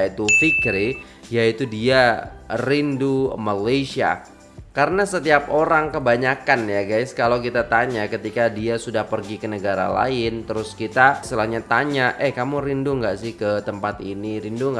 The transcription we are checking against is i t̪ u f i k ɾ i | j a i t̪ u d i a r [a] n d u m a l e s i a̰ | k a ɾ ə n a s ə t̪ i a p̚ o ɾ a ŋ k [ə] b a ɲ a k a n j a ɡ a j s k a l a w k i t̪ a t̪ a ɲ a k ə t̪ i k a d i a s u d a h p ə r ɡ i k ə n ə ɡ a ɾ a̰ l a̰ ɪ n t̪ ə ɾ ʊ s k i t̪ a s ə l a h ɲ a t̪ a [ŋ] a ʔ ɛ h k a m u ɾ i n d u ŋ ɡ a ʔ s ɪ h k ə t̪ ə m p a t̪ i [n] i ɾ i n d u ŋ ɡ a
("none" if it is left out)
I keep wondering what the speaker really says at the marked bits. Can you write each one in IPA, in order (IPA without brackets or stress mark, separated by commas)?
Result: i, ə, ɲ, n